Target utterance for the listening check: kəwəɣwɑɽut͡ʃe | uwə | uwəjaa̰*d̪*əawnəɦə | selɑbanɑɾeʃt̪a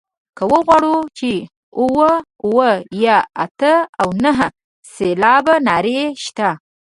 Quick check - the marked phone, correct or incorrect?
incorrect